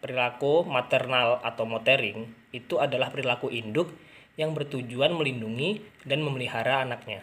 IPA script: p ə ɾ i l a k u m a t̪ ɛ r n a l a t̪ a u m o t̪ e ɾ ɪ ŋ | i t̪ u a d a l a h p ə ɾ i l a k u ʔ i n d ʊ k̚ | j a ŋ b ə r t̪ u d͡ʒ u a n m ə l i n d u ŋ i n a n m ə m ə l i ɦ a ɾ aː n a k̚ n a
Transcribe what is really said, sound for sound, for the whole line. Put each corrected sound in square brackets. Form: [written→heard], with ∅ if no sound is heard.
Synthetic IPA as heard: p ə ɾ i l a k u m a t̪ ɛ r n a l a t̪ a [u→w] m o t̪ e ɾ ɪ ŋ | i t̪ u a d a l a h p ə ɾ i l a k u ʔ i n d ʊ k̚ | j a ŋ b ə r t̪ u d͡ʒ u a n m ə l i n d u ŋ i [n→d] a n m ə m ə l i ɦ a ɾ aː n a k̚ [n→ɲ] a